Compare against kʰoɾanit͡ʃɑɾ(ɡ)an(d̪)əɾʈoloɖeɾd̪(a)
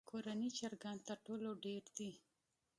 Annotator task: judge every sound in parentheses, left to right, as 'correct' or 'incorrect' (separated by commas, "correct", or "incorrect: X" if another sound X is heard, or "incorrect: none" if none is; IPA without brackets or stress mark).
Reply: correct, incorrect: t̪, incorrect: i